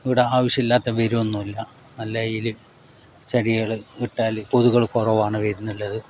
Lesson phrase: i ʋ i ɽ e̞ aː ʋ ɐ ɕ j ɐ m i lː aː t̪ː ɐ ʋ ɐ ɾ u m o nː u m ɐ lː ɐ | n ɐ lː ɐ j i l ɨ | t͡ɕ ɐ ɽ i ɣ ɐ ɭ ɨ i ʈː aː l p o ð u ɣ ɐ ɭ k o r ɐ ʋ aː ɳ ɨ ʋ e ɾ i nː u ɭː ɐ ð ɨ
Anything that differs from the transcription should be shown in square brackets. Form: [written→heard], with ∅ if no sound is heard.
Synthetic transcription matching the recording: i ʋ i ɽ e̞ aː ʋ ɐ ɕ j ɐ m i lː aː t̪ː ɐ ʋ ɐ ɾ u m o nː u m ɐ lː ɐ | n ɐ lː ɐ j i l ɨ | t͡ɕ ɐ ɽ i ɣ ɐ ɭ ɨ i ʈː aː l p o ð u ɣ ɐ ɭ k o r ɐ ʋ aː ɳ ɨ ʋ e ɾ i nː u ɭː ɐ ð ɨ